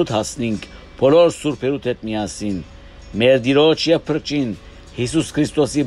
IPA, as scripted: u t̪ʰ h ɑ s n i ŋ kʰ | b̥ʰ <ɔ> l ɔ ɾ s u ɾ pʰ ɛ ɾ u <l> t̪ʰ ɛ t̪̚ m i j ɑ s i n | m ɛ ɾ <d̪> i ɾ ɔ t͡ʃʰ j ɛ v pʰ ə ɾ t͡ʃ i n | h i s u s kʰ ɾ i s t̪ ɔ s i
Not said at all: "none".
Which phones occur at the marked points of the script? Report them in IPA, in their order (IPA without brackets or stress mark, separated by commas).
ɔ, none, d̪